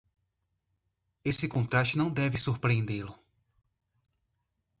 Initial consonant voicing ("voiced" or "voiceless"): voiceless